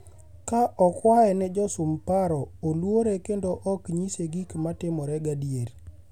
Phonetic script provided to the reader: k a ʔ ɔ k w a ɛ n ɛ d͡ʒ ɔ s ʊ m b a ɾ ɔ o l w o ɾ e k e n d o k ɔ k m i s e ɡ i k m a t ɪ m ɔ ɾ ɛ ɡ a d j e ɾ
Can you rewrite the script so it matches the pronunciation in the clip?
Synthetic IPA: k a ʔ ɔ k w a ɛ n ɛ d͡ʒ ɔ s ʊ m p a ɾ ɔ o l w o ɾ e k e n d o ʔ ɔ k ɲ i s e ɡ i k m a t ɪ m ɔ ɾ ɛ ɡ a d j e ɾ